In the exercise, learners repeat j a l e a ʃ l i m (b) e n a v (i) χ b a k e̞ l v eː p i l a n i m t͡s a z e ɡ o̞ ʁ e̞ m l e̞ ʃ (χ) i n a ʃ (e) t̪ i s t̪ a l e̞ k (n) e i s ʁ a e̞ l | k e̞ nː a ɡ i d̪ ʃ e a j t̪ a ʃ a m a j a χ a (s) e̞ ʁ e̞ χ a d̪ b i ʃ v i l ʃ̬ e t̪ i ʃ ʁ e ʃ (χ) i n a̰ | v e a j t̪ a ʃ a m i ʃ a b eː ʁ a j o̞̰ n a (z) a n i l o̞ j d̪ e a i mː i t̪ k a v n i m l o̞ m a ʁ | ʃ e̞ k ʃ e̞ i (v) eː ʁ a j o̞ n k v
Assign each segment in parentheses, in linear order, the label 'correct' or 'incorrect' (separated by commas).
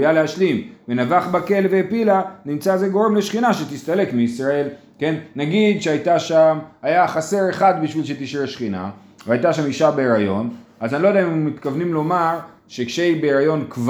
incorrect, incorrect, correct, correct, incorrect, correct, correct, correct, incorrect